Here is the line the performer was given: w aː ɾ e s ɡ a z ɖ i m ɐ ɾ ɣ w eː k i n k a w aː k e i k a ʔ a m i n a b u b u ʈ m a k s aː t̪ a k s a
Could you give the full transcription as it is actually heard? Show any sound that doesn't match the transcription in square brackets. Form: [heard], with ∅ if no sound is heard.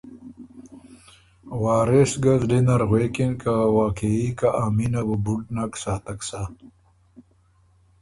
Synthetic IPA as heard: w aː ɾ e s ɡ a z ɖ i [n] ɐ ɾ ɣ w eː k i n k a w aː k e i k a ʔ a m i n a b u b u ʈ [n] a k s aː t̪ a k s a